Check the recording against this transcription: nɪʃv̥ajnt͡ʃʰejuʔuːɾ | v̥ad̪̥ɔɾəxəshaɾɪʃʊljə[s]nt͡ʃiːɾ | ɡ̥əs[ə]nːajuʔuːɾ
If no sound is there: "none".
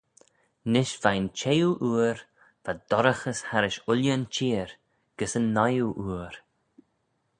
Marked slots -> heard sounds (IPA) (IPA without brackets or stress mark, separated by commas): none, ə